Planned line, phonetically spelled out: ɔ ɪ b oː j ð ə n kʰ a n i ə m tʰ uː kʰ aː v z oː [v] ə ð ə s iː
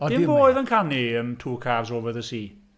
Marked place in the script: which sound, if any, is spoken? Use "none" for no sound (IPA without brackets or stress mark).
v